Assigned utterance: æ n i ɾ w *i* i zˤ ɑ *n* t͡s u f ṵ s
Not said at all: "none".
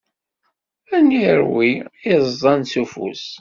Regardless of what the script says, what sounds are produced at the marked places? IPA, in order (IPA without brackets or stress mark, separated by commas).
i, n